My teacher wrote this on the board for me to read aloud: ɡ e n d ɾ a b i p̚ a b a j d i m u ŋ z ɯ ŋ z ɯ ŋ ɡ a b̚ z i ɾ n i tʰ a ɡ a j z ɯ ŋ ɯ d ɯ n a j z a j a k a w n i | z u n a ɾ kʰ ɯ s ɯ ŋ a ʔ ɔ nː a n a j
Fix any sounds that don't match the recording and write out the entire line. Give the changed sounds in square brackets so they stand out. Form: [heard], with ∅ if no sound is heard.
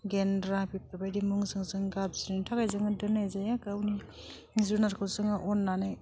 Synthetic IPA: ɡ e n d ɾ a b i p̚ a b a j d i m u ŋ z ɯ ŋ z ɯ ŋ ɡ a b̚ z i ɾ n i tʰ a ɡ a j z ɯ ŋ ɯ d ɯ n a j z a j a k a w n i | z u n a ɾ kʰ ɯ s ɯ ŋ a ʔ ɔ nː a n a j